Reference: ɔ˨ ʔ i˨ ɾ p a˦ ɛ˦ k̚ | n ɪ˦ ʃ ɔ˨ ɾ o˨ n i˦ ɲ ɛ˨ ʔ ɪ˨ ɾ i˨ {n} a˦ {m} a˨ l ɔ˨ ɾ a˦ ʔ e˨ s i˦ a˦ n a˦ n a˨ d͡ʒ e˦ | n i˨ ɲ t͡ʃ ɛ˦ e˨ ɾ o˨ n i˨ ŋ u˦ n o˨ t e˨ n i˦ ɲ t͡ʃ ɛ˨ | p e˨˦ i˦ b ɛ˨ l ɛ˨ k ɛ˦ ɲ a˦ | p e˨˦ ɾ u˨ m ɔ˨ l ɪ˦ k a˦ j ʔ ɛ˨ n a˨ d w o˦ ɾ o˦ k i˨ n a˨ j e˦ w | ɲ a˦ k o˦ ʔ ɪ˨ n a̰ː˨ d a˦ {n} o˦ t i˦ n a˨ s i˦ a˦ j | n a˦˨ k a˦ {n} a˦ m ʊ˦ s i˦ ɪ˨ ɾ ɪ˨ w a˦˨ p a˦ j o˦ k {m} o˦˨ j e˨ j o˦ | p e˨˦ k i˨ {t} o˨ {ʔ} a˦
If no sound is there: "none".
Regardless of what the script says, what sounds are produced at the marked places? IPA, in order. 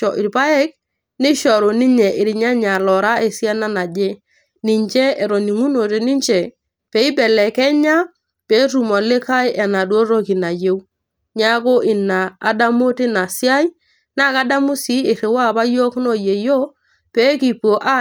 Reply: ɲ, ɲ, m, d, n, p, ʔ

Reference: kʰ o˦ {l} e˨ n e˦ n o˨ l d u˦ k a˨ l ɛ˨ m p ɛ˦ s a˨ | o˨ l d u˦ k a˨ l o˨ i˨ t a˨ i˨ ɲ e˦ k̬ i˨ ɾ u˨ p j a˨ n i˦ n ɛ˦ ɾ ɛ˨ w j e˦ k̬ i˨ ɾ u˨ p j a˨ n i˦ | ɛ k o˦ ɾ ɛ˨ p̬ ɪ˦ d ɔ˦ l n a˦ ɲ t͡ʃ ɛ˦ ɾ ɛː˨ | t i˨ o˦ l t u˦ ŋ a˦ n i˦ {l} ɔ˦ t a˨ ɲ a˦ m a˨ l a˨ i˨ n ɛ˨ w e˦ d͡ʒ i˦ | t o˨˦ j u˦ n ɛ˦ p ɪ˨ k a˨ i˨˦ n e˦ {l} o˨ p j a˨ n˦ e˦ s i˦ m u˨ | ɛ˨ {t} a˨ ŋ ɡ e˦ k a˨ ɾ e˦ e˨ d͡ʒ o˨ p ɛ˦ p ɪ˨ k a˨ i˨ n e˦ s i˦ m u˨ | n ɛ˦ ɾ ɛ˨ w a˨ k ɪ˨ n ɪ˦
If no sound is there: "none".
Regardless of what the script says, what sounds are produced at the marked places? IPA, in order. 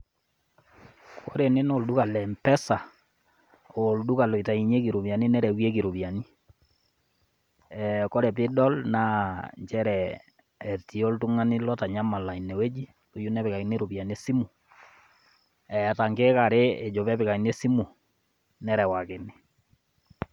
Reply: ɾ, l, ɾ, t

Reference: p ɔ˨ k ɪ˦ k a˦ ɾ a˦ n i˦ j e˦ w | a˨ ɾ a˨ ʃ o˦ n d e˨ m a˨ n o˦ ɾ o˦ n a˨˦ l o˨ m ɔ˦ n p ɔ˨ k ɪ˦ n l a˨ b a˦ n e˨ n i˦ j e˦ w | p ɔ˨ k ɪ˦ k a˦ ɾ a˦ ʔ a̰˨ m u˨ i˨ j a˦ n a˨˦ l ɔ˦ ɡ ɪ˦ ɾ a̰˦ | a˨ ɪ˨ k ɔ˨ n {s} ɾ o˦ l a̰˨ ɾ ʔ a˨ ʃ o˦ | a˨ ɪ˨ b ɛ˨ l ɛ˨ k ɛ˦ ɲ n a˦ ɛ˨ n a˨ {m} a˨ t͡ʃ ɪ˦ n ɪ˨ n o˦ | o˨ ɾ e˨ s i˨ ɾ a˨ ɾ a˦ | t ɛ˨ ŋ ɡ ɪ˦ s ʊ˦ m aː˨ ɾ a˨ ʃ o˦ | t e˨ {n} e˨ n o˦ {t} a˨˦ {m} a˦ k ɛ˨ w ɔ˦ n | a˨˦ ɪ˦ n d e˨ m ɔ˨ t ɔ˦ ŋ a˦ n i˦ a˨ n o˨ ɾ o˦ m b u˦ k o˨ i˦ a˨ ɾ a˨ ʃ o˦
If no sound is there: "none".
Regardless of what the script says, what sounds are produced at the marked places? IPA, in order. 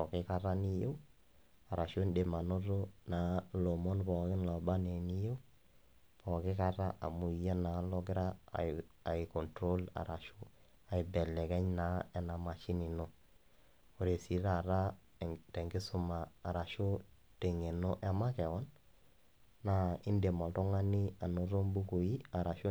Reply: t, m, ŋ, ʔ, m

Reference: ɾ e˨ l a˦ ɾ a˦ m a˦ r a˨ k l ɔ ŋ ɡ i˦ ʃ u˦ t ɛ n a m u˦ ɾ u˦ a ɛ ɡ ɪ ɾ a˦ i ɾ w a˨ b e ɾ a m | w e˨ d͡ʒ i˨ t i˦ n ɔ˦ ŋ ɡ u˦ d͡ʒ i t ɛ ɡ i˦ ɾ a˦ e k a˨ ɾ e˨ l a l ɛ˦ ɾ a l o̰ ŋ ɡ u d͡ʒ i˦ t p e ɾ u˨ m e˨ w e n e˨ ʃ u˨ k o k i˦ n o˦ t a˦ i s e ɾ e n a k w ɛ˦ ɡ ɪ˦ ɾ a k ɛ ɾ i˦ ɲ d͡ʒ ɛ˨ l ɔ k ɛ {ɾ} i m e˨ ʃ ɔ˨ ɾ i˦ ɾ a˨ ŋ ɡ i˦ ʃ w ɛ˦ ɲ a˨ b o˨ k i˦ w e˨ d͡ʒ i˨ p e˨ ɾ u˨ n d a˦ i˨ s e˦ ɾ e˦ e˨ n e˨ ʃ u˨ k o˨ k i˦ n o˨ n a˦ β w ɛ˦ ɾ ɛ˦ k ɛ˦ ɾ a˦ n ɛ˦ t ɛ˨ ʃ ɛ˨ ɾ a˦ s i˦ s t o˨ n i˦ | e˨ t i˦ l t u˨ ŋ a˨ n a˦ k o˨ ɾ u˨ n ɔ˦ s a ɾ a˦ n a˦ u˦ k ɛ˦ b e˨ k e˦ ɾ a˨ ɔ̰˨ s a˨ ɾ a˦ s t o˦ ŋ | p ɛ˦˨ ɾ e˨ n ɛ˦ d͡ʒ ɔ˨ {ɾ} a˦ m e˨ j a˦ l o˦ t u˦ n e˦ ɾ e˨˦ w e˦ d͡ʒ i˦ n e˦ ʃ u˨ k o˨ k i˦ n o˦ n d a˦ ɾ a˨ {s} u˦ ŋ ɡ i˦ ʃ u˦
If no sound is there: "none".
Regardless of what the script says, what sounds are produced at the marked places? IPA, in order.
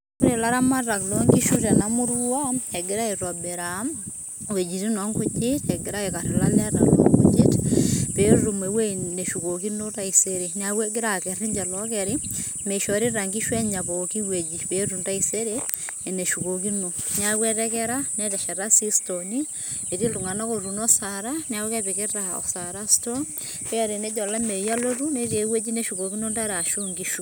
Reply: ɾ, l, ʃ

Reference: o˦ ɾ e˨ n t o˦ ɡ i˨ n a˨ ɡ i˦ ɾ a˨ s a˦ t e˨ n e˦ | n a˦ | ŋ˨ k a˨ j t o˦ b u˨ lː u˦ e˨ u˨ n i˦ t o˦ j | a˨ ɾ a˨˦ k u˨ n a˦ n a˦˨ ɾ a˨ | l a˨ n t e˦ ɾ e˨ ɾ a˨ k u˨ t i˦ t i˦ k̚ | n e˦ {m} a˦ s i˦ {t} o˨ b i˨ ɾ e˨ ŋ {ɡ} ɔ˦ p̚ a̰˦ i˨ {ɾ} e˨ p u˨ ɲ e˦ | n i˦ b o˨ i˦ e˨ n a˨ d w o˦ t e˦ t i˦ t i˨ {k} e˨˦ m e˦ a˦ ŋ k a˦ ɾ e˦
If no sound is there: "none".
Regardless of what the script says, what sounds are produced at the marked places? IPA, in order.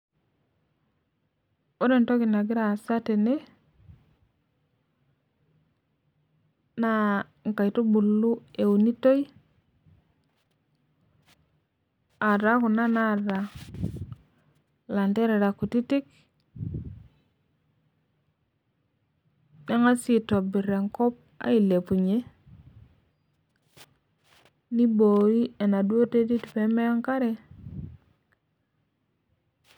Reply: ŋ, t, k, l, p

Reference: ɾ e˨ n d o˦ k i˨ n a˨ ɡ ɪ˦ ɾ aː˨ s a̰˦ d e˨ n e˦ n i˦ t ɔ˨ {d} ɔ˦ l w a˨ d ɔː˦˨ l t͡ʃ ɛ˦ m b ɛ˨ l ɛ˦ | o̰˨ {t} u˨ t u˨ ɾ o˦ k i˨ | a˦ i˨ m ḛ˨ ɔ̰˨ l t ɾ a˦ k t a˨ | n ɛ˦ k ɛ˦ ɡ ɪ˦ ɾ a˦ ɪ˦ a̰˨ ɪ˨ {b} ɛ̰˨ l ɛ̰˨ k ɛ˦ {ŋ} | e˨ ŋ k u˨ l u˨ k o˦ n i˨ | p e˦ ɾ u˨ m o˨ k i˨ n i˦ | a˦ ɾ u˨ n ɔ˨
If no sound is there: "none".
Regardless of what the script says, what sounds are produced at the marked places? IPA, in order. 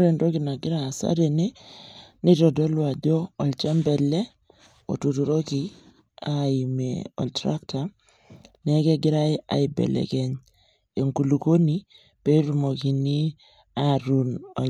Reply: d, t, b, ɲ

